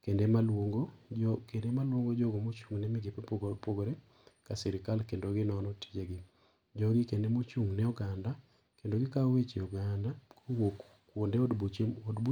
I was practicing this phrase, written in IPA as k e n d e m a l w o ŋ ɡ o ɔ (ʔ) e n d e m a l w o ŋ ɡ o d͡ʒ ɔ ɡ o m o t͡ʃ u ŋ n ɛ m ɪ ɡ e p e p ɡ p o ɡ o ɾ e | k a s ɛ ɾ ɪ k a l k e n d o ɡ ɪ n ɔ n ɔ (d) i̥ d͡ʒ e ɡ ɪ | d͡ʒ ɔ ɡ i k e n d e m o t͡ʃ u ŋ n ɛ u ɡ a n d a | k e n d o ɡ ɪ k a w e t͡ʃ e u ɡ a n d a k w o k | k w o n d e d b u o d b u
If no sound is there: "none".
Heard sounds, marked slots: k, t

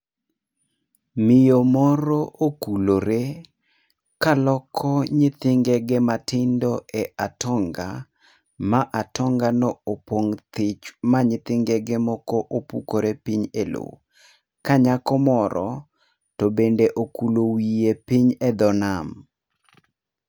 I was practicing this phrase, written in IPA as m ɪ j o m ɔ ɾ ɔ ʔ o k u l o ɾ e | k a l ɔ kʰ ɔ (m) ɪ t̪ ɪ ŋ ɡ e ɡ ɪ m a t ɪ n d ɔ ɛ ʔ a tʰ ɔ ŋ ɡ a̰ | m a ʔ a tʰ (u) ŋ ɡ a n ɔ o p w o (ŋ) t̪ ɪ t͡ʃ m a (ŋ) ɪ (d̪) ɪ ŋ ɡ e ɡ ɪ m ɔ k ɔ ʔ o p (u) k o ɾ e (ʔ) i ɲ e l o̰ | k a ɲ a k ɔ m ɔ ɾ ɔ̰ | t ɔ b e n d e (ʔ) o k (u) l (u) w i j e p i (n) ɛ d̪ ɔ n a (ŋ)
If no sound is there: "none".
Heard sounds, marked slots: ɲ, ɔ, ŋ, ɲ, t̪, u, p, ʔ, u, o, ɲ, m

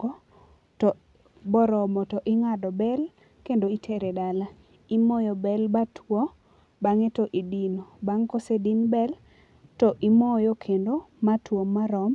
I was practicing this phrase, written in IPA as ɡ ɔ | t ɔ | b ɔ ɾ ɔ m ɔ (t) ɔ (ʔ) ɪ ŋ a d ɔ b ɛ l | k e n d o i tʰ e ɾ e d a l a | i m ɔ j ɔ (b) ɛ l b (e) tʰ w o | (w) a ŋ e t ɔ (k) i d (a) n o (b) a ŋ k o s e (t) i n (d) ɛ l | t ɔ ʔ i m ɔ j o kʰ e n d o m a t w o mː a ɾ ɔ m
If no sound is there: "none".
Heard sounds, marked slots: t, ʔ, b, a, b, ʔ, i, b, d, b

